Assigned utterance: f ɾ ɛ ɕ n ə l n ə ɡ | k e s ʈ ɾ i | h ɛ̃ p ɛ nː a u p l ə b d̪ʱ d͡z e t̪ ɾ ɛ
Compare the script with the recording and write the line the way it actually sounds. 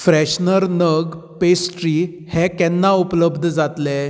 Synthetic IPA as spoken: f ɾ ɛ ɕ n ə ɾ n ə ɡ | p e s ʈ ɾ i | h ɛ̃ k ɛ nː a u p l ə b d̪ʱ d͡z a t̪ l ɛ